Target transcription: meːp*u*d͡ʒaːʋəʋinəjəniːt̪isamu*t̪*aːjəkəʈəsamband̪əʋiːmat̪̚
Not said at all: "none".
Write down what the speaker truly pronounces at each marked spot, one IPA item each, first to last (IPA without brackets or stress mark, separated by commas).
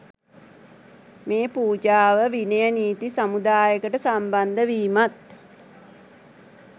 uː, d̪